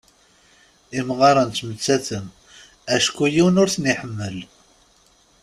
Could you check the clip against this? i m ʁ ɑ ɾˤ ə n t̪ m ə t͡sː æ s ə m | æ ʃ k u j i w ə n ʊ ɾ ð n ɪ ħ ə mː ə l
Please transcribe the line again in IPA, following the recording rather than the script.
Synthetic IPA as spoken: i m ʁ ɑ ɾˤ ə n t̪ m ə t͡sː æ θ ə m | æ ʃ k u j i w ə n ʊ ɾ θ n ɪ ħ ə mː ə l